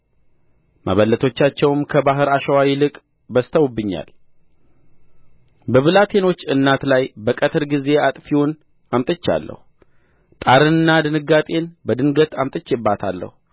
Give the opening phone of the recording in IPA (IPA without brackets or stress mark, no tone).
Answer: m